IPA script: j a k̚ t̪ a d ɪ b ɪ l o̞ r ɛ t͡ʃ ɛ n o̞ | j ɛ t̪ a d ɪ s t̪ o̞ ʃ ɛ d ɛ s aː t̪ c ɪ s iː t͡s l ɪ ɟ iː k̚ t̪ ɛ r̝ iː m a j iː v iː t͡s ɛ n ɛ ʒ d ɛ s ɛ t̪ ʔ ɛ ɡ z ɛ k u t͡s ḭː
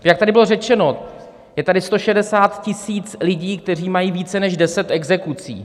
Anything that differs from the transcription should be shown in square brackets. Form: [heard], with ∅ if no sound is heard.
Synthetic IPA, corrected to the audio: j a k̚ t̪ a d ɪ b ɪ l o̞ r ɛ t͡ʃ ɛ n o̞ | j ɛ t̪ a d ɪ s t̪ o̞ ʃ ɛ d ɛ s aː t̪ c ɪ s iː t͡s l ɪ ɟ iː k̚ t̪ ɛ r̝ iː m a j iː v iː t͡s ɛ n ɛ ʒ d ɛ s ɛ t̪ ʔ ɛ ɡ z ɛ k u t͡s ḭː